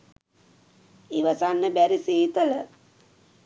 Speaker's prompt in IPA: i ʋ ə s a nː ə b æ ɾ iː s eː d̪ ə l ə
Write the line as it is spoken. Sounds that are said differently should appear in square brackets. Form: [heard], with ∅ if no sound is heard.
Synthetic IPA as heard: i ʋ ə s a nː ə b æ ɾ [i] s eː [t̪] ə l ə